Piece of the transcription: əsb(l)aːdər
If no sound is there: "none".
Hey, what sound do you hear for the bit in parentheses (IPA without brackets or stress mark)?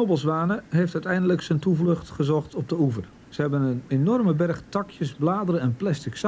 l